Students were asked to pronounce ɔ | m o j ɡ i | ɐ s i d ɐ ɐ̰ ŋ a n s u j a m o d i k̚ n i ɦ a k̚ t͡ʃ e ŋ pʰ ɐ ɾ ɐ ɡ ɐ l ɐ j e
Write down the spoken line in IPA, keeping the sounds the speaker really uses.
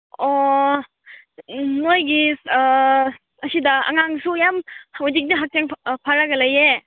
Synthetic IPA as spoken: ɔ | n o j ɡ i | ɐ s i d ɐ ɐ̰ ŋ a ŋ s u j a m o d i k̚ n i ɦ a k̚ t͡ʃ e ŋ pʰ a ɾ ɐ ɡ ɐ l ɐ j e